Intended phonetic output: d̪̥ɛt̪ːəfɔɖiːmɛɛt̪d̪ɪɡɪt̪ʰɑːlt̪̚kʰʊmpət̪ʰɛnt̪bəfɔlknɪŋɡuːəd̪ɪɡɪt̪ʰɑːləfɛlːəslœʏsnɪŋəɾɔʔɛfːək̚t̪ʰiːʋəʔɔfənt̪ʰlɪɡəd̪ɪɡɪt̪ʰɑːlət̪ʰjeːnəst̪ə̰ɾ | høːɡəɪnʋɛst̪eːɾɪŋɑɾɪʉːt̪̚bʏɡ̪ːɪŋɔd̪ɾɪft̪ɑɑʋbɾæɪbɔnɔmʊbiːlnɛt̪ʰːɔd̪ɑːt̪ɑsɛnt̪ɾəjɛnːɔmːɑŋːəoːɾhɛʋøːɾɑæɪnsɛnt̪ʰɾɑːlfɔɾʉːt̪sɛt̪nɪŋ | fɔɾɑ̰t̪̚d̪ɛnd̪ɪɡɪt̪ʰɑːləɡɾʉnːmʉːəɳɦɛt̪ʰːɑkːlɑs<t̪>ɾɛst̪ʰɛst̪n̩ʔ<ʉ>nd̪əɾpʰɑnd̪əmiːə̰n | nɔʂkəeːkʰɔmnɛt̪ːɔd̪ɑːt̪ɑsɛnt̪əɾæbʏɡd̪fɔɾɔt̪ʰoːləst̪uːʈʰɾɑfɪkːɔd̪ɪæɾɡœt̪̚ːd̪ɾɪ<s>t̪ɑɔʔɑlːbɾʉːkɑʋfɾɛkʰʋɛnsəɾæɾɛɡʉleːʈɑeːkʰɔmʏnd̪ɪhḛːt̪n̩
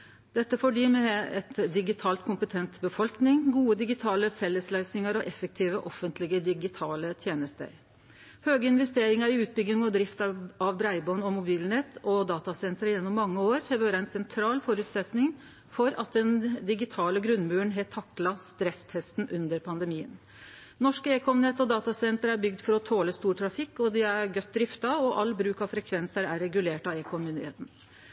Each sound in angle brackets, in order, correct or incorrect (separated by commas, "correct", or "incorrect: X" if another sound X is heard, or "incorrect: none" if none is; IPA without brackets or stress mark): correct, correct, incorrect: f